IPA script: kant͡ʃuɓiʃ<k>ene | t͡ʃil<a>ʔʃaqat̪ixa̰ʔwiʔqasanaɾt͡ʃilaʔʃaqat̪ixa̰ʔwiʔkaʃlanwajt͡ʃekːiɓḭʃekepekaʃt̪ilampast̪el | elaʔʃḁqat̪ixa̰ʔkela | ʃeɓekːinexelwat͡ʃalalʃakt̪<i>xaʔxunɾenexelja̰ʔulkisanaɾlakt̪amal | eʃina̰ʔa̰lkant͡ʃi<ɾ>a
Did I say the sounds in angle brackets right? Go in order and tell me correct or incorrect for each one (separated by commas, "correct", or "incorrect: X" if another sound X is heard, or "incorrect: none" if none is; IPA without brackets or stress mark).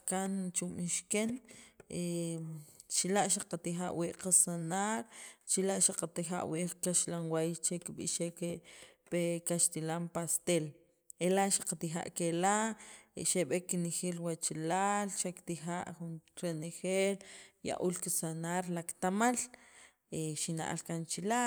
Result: correct, correct, correct, incorrect: l